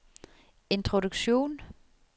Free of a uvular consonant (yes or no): no